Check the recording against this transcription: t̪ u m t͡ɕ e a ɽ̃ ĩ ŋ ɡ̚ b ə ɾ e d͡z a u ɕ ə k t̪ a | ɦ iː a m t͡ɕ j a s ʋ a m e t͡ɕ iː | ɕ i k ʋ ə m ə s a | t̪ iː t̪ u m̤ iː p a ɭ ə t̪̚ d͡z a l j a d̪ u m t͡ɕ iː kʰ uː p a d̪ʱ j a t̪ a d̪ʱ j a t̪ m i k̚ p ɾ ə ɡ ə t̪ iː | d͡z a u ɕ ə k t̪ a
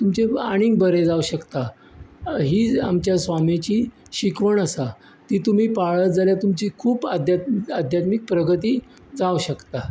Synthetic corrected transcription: t̪ u m t͡ɕ e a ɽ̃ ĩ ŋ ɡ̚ b ə ɾ e d͡z a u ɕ ə k t̪ a | ɦ iː a m t͡ɕ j a s ʋ a m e t͡ɕ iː | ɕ i k ʋ ə ɳ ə s a | t̪ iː t̪ u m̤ iː p a ɭ ə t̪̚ d͡z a l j a t̪ u m t͡ɕ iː kʰ uː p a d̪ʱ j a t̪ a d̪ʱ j a t̪ m i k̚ p ɾ ə ɡ ə t̪ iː | d͡z a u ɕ ə k t̪ a